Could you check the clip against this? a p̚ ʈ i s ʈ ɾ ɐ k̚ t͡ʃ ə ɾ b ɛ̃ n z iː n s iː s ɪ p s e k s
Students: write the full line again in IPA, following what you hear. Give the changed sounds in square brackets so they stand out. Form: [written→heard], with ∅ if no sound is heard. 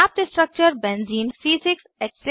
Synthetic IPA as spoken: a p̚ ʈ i s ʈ ɾ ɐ k̚ t͡ʃ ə ɾ b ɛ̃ n z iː n s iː s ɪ [p→k] s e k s